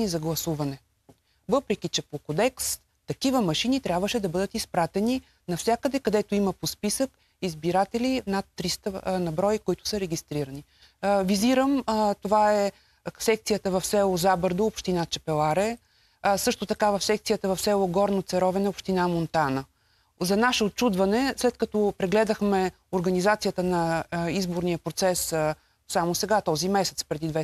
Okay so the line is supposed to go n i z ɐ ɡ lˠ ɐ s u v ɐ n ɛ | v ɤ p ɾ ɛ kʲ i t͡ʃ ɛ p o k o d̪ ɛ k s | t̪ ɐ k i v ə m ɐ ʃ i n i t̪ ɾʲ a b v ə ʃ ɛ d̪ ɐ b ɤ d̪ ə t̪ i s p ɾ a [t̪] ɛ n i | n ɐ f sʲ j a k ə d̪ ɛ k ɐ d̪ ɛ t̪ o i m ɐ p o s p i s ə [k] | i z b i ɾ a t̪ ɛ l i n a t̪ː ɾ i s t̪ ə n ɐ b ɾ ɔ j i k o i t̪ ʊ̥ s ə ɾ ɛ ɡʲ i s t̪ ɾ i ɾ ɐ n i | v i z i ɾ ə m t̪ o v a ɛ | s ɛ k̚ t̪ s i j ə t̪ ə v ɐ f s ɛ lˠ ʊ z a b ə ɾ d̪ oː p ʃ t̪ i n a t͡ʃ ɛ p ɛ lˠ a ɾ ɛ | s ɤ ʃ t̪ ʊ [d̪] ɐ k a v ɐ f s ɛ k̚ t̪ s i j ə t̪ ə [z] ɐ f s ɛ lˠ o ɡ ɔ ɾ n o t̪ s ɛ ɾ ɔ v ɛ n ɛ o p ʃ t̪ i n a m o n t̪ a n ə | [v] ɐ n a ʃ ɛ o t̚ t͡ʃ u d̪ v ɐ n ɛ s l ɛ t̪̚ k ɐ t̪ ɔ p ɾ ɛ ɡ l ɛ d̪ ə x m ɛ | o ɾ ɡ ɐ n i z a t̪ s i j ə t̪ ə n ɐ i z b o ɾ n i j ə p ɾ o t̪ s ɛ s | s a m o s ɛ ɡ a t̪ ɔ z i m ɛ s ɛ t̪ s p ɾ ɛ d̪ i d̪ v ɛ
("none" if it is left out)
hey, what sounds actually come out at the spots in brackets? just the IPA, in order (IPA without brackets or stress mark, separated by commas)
t̪, k, t̪, v, z